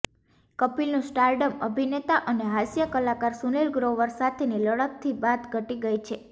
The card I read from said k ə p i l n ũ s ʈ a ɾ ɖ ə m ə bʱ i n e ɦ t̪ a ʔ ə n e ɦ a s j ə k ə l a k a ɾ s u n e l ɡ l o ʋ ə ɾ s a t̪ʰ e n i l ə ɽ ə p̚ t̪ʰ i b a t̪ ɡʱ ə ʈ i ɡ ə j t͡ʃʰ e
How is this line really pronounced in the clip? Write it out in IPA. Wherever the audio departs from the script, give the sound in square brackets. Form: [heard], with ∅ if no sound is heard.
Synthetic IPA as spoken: k ə p i l n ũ s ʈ a ɾ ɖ ə m ə bʱ i n e [∅] t̪ a ʔ ə n e ɦ a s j ə k ə l a k a ɾ s u n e l ɡ [ɾ] o ʋ ə ɾ s a t̪ʰ e n i l ə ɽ ə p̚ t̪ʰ i b a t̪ ɡʱ ə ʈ i ɡ ə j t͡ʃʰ e